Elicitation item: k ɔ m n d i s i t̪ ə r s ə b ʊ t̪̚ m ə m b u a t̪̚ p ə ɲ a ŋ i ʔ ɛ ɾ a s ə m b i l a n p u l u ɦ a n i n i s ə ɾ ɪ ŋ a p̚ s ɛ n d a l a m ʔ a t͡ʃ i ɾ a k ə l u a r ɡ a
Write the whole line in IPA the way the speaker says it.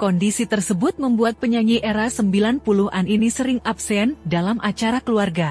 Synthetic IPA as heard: k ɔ n d i s i t̪ ə r s ə b ʊ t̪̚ m ə m b u a t̪̚ p ə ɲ a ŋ i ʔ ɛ ɾ a s ə m b i l a n p u l u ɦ a n i n i s ə ɾ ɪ ŋ a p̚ s ɛ n d a l a m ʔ a t͡ʃ a ɾ a k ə l u a r ɡ a